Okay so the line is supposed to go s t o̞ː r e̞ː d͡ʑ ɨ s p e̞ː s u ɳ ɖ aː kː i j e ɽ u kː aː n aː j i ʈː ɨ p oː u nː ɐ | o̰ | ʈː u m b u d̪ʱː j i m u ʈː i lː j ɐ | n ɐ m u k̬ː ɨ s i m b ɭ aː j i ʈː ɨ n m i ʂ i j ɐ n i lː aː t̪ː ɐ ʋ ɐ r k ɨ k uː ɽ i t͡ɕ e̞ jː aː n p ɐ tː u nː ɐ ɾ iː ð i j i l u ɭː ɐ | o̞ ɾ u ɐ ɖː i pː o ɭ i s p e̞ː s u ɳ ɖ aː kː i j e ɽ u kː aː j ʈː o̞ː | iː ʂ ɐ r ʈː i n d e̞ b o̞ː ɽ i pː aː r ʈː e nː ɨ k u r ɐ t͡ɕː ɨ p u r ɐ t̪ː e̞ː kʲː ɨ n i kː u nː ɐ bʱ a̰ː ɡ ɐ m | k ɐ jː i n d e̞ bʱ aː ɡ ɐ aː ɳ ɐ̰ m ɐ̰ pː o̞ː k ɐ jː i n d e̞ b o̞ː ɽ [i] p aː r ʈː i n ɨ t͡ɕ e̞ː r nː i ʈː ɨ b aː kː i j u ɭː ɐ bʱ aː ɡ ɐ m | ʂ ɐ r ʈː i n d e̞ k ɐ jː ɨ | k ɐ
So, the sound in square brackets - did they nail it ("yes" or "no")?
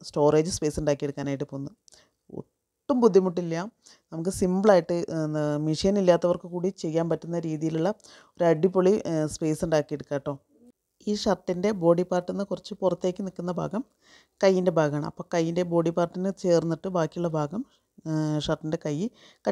yes